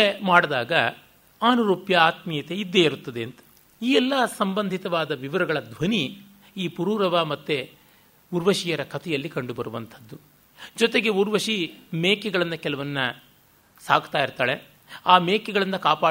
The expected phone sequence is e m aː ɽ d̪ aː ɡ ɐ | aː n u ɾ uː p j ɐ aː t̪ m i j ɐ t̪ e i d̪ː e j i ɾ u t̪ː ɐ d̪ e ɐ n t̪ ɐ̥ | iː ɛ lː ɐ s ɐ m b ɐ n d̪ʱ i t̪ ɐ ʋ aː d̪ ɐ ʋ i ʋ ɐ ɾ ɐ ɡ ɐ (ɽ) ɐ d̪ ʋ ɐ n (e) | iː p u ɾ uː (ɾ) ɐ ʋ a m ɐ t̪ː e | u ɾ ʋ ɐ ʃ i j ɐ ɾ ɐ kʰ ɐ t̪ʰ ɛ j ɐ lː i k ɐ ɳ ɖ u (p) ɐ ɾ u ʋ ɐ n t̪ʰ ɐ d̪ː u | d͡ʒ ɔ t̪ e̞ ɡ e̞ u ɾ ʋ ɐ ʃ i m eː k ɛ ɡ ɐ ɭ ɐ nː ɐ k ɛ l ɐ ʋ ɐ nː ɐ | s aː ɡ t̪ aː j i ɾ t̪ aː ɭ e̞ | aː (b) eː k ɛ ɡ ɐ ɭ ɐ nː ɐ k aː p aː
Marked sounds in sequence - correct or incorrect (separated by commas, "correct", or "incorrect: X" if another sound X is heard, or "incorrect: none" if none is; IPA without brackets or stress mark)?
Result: incorrect: ɭ, incorrect: i, correct, incorrect: b, incorrect: m